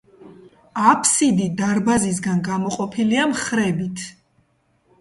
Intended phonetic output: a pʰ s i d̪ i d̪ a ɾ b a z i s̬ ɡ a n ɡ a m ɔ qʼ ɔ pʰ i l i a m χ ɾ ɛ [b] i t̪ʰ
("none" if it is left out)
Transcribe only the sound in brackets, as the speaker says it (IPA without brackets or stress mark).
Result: b